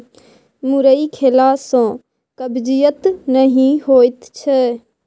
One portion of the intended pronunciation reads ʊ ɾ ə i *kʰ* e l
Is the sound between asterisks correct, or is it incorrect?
correct